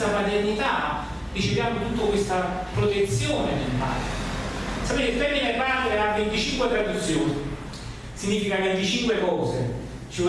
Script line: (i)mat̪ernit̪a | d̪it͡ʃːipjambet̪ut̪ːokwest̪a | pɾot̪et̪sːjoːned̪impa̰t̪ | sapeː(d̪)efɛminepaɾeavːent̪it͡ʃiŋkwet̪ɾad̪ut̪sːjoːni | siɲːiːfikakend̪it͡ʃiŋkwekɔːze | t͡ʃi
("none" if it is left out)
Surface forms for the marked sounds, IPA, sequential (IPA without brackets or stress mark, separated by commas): a, t̪